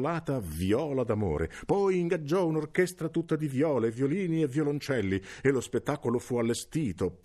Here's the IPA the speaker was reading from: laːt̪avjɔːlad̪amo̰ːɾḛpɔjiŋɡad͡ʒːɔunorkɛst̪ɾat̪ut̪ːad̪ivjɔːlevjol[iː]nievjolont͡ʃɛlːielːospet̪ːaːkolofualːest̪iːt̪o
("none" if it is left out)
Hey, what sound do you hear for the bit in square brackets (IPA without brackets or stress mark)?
iː